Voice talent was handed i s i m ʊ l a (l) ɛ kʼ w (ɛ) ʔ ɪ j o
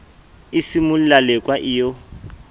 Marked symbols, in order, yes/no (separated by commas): yes, no